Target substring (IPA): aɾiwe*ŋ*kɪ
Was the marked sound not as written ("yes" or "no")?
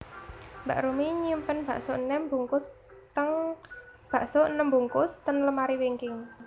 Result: no